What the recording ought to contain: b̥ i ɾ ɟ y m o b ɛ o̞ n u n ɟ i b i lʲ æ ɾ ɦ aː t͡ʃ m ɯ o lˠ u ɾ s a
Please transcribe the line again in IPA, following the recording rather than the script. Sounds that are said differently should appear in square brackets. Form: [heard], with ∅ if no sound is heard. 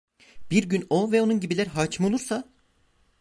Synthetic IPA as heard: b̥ i ɾ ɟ y [n] o [v] ɛ o̞ n u n ɟ i b i lʲ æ ɾ ɦ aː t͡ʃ m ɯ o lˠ u ɾ s a